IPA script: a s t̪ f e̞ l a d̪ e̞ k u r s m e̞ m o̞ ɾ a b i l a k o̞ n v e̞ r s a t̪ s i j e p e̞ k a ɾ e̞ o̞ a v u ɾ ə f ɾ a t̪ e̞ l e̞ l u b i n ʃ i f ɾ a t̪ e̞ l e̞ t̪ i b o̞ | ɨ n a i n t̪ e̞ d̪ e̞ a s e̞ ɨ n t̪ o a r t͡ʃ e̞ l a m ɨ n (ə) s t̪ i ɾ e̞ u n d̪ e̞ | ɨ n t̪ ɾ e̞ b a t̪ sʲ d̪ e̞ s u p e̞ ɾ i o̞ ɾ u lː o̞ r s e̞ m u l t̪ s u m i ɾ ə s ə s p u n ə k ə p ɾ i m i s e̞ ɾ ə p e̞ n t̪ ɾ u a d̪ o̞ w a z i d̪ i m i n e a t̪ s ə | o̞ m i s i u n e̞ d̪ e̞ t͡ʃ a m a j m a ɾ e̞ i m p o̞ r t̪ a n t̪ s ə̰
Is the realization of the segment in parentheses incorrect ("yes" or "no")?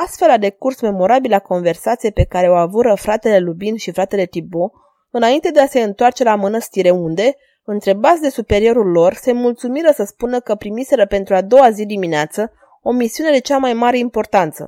no